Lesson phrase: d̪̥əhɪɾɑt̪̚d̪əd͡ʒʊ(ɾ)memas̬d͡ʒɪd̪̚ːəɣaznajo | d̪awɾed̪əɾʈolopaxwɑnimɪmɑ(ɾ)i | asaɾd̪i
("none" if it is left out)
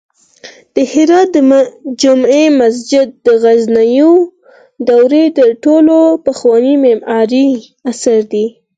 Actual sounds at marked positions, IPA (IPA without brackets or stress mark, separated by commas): none, ɾ